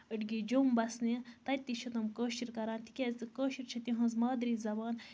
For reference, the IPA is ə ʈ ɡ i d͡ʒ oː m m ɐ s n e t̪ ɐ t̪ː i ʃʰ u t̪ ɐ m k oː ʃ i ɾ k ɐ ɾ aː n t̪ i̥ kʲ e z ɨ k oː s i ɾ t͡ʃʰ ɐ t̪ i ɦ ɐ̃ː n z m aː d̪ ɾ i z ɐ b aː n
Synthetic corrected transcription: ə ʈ ɡ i d͡ʒ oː m b ɐ s n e t̪ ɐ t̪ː i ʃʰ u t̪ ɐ m k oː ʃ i ɾ k ɐ ɾ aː n t̪ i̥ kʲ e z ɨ k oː ʃ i ɾ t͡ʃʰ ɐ t̪ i ɦ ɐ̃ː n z m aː d̪ ɾ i z ɐ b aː n